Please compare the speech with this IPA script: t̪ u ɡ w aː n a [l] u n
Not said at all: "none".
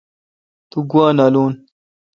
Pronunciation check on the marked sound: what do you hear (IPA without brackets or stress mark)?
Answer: l